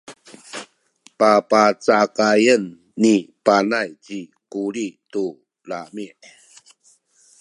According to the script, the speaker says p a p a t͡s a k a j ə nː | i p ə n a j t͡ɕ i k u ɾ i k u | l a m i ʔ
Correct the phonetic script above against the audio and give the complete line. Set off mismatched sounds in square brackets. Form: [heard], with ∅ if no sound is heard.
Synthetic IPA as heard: p a p a t͡s a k a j ə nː | i p [a] n a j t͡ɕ i k u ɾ i [t] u | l a m i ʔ